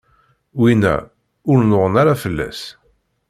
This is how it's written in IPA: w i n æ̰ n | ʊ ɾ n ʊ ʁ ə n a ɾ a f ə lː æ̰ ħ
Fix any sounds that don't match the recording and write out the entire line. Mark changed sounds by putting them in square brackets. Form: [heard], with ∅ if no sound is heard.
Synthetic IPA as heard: w i n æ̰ [∅] | ʊ ɾ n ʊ ʁ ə n a ɾ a f ə lː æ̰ [s]